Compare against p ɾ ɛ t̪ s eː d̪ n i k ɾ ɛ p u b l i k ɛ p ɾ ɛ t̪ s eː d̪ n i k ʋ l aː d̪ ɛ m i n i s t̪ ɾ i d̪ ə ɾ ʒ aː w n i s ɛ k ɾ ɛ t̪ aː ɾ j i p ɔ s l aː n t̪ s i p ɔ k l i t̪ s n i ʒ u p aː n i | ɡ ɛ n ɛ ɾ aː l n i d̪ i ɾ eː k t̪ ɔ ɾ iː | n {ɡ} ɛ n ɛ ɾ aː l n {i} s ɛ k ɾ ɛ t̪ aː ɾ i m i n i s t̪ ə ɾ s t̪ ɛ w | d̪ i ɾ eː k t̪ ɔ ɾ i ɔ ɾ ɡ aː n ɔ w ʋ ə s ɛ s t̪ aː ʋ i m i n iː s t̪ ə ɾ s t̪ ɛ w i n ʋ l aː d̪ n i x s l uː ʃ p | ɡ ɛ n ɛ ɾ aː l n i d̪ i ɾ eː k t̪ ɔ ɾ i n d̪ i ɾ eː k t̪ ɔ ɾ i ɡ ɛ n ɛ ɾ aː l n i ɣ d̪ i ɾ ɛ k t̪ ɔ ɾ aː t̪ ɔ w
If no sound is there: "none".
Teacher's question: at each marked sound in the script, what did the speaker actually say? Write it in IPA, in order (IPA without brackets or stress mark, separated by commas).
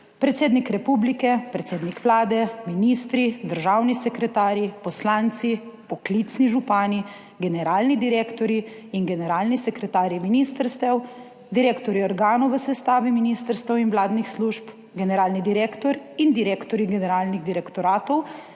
ɡ, i